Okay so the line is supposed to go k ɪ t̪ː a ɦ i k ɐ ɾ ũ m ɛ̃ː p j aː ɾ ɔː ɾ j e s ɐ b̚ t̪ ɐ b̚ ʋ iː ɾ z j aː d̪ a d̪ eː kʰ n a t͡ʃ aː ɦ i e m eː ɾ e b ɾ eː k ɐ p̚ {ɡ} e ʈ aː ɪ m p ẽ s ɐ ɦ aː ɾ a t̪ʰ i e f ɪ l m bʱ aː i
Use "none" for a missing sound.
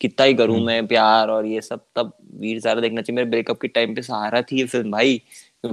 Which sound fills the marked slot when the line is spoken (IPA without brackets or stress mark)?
k